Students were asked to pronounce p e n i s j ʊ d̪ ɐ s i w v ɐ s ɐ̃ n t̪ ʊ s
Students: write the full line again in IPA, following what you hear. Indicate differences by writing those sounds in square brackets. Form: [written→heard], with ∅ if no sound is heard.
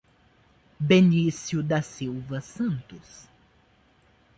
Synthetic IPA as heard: [p→b] e n i s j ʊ d̪ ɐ s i w v ɐ s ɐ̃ n t̪ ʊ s